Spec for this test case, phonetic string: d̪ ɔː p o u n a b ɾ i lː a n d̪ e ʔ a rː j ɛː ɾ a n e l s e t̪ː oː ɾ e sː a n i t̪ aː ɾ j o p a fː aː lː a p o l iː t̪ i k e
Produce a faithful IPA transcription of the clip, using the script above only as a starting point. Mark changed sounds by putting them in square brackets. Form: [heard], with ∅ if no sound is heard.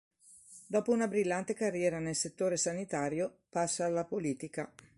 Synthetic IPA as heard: d̪ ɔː p o u n a b ɾ i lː a n [t̪] e [k] a rː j ɛː ɾ a n e l s e t̪ː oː ɾ e [s] a n i t̪ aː ɾ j o p a [sː] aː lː a p o l iː t̪ i k [a]

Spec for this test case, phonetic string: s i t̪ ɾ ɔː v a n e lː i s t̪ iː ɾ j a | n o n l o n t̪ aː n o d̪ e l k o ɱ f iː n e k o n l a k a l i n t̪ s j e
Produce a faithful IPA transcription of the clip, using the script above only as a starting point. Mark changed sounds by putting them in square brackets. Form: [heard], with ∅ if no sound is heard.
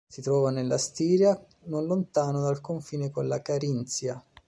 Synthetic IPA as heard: s i t̪ ɾ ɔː v a n e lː [a] s t̪ iː ɾ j a | n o n l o n t̪ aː n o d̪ [a] l k o ɱ f iː n e k o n l a k a [ɾ] i n t̪ s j [a]

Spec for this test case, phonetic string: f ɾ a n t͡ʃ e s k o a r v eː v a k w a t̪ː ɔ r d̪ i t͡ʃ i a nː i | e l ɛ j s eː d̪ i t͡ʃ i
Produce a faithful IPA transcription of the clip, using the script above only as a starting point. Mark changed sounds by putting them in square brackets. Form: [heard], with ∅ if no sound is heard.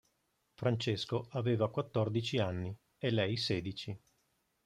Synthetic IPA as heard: f ɾ a n t͡ʃ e s k o a [∅] v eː v a k w a t̪ː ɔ r d̪ i t͡ʃ i a nː i | e l ɛ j s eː d̪ i t͡ʃ i

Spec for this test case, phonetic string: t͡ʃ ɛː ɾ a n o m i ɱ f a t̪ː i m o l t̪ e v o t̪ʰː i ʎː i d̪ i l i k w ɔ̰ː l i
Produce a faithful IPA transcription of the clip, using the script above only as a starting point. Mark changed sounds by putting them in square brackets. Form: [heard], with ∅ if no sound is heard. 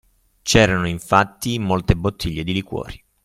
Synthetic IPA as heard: t͡ʃ ɛː ɾ a n o [∅] i ɱ f a t̪ː i m o l t̪ e [b] o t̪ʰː i ʎː [e] d̪ i l i k w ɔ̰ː [ɾ] i

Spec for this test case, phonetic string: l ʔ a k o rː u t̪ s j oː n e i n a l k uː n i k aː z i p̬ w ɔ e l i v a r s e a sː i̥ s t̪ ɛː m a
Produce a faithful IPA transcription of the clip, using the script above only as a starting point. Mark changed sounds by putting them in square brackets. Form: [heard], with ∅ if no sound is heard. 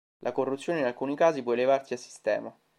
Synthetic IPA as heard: l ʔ a k o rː u t̪ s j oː n e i n a l k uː n i k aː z i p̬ w ɔ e l [e] v a r s [i] a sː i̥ s t̪ ɛː m a

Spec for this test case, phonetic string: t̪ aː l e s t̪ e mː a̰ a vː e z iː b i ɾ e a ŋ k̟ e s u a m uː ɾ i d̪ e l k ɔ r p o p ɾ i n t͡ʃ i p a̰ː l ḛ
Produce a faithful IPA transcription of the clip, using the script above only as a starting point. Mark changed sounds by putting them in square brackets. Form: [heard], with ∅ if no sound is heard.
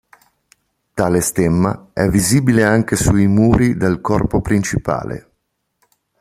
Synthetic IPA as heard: t̪ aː l e s t̪ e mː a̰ [ɛ] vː [i] z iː b i [l] e a ŋ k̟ e s u [i] m uː ɾ i d̪ e l k ɔ r p o p ɾ i n t͡ʃ i p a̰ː l ḛ

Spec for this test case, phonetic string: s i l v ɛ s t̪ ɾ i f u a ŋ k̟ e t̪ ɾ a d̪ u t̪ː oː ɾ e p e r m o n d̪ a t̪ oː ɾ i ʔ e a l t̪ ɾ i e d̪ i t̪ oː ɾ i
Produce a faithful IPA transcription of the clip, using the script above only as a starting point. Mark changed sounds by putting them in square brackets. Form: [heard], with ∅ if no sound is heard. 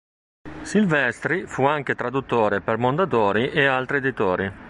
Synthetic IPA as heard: s i l v ɛ s t̪ ɾ i f u a ŋ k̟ e t̪ ɾ a d̪ u t̪ː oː ɾ e p e r m o n d̪ a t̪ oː ɾ i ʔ e a l t̪ ɾ i e d̪ i t̪ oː ɾ i

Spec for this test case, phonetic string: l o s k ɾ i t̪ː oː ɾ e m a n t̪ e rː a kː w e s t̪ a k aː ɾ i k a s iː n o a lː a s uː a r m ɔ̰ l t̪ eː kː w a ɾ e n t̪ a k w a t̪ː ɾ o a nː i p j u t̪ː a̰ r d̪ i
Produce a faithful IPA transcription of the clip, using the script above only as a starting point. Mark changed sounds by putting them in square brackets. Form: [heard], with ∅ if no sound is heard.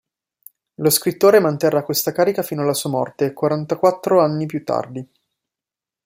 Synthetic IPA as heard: l o s k ɾ i t̪ː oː ɾ e m a n t̪ e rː a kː w e s t̪ a k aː ɾ i k a [f] iː n o a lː a s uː a [∅] m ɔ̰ [r] t̪ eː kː w a ɾ [a] n t̪ a k w a t̪ː ɾ o a nː i p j u t̪ː a̰ r d̪ i

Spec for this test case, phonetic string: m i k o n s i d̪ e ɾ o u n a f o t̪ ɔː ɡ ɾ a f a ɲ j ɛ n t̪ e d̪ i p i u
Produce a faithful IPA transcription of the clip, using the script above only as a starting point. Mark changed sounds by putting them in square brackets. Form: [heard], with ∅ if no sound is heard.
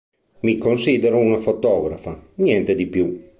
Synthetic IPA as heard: m i k o n s i d̪ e ɾ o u n a f o t̪ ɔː ɡ ɾ a f a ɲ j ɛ n t̪ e d̪ i p [j] u

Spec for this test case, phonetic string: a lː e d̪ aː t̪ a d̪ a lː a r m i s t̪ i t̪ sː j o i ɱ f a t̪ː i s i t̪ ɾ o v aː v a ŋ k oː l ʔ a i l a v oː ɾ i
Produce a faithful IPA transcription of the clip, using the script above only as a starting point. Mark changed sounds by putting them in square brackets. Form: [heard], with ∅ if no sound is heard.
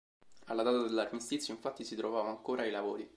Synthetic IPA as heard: a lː [a] d̪ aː t̪ a d̪ [e] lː a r m i s t̪ i t̪ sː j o i ɱ f a t̪ː i s i t̪ ɾ o v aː v a ŋ k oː [ɾ] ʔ a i l a v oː ɾ i

